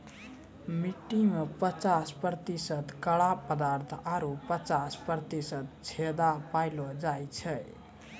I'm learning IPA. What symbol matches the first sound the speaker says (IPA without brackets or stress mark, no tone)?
m